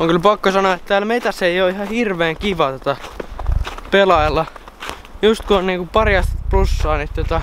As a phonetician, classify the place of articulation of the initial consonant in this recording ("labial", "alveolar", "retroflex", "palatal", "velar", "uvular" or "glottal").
velar